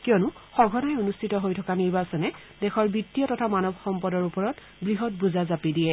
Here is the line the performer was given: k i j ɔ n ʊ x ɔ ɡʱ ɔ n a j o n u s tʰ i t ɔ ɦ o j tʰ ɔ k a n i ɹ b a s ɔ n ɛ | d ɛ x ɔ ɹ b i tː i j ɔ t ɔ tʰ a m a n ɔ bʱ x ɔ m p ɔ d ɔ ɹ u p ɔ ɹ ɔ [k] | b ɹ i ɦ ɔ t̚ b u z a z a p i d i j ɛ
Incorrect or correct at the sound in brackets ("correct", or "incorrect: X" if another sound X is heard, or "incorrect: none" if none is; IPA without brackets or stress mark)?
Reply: incorrect: t